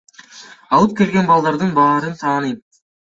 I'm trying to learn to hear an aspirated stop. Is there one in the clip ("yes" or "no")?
yes